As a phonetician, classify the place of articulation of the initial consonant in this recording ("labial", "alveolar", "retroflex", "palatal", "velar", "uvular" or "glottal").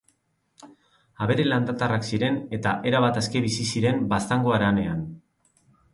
labial